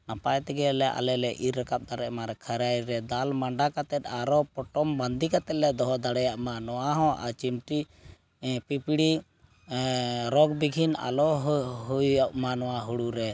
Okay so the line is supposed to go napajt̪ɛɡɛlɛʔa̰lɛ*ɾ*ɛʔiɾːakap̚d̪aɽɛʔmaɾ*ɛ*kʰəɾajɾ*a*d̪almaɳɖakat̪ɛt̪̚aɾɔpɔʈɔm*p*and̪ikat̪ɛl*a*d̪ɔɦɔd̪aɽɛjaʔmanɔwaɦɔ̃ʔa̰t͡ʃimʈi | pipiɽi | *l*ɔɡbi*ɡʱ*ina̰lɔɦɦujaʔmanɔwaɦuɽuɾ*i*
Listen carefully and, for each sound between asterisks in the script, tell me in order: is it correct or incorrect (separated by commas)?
incorrect, correct, incorrect, incorrect, incorrect, incorrect, correct, incorrect